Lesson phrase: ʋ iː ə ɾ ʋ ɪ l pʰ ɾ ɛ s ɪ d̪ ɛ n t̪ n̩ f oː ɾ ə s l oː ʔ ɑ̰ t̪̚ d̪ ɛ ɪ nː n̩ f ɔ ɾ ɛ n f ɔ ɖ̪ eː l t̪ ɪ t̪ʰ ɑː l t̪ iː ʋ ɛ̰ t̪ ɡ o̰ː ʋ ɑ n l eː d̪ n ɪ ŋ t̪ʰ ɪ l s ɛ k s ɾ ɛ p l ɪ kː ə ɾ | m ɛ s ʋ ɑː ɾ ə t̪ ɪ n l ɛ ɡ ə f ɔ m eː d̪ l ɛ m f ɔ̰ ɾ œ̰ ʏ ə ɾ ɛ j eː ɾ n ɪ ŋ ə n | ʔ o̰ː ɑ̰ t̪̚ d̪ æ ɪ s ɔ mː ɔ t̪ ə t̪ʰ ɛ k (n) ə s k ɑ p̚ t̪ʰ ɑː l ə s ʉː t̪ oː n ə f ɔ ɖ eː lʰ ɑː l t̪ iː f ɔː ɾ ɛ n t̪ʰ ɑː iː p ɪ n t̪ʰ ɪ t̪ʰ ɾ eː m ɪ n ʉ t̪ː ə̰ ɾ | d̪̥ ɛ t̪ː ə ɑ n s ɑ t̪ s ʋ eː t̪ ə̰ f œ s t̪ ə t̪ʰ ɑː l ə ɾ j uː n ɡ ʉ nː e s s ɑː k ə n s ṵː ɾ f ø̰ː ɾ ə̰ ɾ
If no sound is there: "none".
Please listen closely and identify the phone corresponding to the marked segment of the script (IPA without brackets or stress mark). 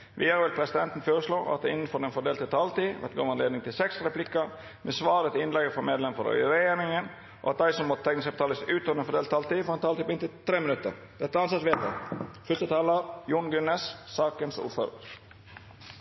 n